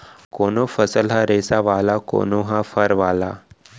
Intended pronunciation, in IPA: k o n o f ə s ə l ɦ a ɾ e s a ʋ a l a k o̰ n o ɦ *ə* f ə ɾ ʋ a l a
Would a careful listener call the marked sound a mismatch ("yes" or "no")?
yes